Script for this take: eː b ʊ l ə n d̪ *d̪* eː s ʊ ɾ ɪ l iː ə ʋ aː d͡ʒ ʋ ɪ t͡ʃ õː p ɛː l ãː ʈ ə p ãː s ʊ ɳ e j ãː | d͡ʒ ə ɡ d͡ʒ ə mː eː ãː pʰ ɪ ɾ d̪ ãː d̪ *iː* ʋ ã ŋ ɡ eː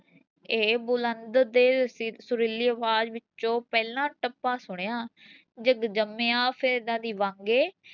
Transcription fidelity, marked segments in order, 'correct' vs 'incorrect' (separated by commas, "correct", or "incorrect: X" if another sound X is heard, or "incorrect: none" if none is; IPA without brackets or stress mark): correct, correct